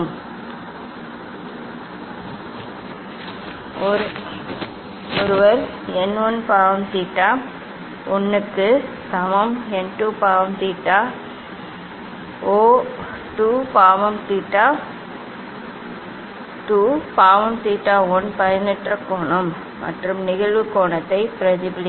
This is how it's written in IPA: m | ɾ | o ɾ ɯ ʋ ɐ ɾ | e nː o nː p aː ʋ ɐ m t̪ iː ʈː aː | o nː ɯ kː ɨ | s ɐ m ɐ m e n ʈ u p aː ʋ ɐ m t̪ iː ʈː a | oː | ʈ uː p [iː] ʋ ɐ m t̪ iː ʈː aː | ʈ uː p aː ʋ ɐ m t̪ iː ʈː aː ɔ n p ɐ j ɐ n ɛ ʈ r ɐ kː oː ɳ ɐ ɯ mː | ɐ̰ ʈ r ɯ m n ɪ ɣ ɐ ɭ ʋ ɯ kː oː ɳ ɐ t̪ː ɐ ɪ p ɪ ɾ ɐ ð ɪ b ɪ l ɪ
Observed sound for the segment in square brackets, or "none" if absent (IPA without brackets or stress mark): aː